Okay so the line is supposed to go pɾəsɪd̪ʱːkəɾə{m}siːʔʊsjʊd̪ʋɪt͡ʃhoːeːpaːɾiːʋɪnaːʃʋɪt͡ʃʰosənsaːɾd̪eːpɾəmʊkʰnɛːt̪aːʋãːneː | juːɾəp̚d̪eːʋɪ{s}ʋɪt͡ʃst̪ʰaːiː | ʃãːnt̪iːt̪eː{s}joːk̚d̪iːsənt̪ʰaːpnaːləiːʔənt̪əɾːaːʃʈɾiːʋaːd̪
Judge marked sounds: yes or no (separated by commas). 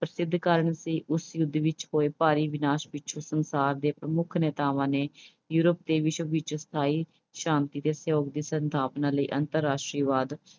no, no, yes